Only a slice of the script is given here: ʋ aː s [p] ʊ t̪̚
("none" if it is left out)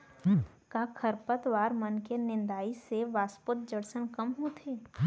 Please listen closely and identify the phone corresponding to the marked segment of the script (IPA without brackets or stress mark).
p